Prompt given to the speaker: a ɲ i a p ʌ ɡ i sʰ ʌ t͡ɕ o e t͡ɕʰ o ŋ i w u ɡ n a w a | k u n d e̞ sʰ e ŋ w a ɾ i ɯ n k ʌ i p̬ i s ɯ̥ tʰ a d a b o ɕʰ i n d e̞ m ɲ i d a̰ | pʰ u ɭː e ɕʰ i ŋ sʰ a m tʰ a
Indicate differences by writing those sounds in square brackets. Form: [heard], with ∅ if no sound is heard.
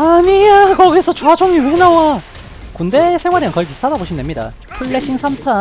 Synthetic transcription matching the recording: a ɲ i a [k] ʌ ɡ i sʰ ʌ t͡ɕ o [a] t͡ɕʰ o ŋ i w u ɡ n a w a | k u n d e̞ sʰ e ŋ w a ɾ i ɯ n k ʌ i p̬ i s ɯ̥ tʰ a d a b o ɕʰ i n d e̞ m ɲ i d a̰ | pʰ u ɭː e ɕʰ i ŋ sʰ a m tʰ a